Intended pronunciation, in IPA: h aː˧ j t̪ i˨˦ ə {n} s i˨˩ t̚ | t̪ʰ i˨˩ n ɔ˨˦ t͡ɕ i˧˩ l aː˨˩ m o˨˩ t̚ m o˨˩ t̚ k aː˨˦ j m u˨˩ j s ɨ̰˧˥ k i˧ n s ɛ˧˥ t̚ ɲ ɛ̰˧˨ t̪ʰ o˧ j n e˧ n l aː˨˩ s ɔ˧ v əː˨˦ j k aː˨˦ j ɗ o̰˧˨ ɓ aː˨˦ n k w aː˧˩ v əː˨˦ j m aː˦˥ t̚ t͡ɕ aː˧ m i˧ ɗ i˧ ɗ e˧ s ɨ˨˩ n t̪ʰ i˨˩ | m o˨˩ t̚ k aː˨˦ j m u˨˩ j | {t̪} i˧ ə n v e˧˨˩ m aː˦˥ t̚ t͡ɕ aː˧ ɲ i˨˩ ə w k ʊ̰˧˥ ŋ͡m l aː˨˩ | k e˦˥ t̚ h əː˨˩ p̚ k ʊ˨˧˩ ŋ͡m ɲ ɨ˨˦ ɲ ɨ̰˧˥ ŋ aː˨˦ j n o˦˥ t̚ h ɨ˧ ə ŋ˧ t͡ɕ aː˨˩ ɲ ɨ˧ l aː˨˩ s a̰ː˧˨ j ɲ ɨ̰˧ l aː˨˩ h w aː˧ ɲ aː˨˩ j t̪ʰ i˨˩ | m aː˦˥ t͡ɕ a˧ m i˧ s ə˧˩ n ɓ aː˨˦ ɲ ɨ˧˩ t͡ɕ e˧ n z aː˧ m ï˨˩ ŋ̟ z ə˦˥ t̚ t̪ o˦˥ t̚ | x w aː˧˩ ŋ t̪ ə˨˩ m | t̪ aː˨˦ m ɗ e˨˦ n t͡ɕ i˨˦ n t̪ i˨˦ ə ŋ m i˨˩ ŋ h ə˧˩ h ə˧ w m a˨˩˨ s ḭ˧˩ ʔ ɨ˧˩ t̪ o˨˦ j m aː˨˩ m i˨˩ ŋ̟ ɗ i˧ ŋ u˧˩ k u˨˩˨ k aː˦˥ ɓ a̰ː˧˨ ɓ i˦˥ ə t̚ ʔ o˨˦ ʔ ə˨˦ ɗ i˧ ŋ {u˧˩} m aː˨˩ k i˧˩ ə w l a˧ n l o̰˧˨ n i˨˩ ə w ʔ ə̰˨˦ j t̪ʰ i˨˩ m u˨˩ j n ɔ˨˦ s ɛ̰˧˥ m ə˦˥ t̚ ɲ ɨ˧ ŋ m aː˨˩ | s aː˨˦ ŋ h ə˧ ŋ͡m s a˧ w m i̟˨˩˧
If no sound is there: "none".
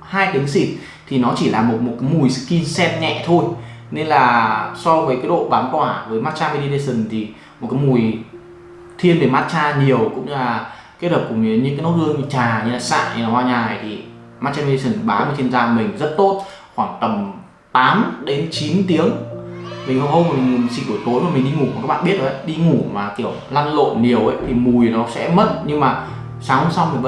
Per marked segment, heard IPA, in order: ŋ, t̪ʰ, u˧˩

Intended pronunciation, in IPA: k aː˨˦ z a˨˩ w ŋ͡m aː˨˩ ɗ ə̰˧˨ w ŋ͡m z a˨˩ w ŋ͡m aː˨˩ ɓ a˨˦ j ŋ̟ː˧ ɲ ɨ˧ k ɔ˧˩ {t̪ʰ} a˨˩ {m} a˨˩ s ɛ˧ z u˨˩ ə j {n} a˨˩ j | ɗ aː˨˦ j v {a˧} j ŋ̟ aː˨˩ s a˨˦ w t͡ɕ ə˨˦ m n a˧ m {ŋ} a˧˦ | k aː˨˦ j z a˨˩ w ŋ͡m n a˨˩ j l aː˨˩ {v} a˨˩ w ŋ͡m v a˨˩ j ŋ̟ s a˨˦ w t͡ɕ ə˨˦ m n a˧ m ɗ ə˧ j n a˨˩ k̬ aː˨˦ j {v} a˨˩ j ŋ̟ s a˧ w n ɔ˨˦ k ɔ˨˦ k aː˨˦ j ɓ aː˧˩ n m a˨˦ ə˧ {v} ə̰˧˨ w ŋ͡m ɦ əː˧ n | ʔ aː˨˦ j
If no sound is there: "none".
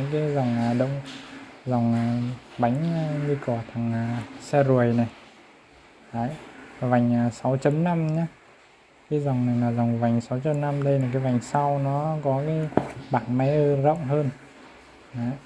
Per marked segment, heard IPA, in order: t̪ʰ, ŋ, n, a˨˩, ɲ, z, v, z

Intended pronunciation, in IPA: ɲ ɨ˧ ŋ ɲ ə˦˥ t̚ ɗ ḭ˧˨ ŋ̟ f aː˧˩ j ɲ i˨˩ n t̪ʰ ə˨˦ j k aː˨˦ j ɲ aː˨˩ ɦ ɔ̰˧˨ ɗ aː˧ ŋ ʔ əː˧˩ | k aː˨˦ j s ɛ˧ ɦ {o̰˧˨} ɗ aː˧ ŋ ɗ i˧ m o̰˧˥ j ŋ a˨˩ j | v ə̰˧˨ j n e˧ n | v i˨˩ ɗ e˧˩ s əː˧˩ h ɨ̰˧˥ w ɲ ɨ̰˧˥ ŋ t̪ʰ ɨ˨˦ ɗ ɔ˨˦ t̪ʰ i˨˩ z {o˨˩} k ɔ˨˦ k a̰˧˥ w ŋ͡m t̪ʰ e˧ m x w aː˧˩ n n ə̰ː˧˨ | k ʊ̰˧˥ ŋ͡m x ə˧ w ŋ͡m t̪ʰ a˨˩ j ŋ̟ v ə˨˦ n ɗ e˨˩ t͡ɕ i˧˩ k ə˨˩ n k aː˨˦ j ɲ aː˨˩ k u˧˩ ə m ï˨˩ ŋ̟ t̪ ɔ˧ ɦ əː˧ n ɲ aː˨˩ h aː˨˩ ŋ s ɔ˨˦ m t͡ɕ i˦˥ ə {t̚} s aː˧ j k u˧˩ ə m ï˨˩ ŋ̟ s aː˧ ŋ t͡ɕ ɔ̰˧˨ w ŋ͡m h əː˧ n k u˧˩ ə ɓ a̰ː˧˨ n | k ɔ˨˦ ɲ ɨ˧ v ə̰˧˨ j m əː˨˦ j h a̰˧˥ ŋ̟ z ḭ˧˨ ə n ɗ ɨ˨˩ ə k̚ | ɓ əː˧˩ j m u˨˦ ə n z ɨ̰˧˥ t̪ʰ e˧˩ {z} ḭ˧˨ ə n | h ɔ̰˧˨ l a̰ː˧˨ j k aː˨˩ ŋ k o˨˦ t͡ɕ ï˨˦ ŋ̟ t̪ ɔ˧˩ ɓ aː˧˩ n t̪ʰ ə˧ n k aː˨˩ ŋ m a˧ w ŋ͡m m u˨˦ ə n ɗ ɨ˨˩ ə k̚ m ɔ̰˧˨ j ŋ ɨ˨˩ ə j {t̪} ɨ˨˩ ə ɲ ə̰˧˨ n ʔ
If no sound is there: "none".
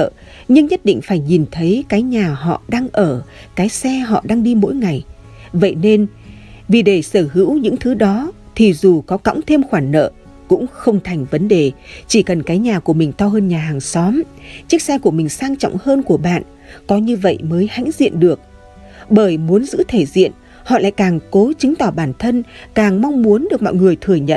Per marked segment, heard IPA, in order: ɔ̰˧˨, u˨˩, k̚, z, t̪ʰ

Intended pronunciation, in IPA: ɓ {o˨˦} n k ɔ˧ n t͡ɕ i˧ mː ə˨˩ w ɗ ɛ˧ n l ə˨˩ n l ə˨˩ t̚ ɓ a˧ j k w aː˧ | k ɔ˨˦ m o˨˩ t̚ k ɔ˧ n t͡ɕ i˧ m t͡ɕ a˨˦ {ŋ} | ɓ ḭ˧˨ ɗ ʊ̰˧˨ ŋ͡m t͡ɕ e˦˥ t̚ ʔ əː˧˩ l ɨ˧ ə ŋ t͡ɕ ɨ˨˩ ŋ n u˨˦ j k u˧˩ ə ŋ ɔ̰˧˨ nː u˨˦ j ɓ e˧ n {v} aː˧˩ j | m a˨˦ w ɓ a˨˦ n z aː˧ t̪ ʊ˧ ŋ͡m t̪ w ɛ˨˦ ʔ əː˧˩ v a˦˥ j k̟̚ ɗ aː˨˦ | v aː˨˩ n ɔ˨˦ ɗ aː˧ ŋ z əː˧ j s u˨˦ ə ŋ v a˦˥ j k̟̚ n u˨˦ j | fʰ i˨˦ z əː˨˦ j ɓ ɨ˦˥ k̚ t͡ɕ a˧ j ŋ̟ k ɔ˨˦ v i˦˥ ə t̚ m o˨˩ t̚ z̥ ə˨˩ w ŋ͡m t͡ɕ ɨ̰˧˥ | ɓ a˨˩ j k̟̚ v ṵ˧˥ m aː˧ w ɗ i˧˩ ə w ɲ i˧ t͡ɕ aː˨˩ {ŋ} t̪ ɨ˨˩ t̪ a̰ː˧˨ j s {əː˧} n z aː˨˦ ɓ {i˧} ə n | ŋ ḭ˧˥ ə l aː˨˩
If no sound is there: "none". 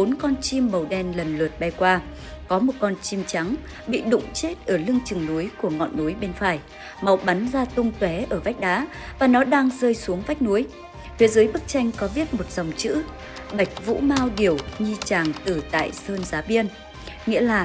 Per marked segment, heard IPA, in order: o˨˦, ŋ, f, ŋ, əː˧, i˧

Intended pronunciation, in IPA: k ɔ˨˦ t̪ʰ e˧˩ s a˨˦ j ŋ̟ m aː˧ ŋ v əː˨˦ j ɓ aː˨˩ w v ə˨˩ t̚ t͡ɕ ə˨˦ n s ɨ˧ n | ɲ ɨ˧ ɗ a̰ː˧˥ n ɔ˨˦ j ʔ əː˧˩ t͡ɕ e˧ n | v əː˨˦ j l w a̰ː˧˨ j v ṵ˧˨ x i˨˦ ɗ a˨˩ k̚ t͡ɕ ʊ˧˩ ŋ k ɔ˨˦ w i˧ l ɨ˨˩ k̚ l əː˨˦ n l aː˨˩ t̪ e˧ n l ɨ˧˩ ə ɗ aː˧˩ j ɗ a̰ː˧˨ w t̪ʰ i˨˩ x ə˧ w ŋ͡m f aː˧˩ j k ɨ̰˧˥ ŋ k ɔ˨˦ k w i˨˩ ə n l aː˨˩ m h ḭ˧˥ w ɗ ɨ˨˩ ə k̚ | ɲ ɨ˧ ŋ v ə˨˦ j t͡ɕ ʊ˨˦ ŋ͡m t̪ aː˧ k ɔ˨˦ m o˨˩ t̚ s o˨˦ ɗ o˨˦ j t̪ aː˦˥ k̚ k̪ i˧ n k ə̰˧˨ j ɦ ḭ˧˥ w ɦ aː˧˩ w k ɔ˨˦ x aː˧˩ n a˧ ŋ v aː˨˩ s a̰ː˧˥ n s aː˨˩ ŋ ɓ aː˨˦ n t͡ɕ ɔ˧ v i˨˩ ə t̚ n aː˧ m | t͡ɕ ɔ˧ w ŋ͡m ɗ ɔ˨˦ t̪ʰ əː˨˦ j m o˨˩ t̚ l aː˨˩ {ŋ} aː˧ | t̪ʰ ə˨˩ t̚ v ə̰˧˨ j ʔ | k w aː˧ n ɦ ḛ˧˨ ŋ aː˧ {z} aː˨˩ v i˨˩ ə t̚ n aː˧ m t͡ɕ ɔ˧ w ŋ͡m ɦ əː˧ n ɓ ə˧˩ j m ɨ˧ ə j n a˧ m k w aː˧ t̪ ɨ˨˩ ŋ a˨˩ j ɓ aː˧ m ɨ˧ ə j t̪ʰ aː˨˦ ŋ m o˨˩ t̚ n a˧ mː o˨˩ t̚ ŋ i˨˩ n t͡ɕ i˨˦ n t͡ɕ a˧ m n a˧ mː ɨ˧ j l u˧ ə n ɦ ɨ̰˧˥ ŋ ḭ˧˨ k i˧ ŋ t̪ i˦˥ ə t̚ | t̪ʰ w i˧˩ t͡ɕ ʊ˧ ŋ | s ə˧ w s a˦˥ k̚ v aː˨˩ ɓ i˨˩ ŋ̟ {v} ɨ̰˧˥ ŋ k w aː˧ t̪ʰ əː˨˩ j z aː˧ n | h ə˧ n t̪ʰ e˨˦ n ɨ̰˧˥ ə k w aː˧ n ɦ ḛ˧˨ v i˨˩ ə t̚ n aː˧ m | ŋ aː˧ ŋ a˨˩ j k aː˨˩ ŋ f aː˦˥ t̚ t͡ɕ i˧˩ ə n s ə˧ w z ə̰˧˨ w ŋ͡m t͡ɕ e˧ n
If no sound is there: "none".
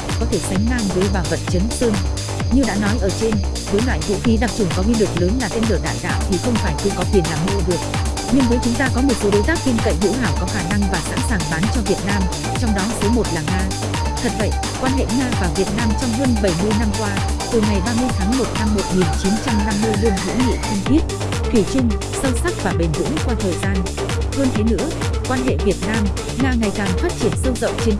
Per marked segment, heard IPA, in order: ŋ, v, z

